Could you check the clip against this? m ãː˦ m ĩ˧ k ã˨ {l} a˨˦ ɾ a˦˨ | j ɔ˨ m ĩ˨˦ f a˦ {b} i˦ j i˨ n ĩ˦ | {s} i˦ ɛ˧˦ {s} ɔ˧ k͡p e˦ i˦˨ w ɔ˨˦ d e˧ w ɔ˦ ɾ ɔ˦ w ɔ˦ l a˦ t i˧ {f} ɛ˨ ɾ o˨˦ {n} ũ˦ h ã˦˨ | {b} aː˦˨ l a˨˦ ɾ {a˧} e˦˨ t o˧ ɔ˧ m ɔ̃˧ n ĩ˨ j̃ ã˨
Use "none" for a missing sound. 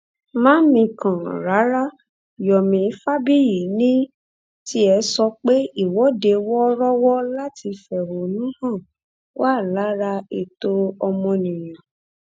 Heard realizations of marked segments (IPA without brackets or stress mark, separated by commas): ɾ, b, t, s, f, n, w, a˧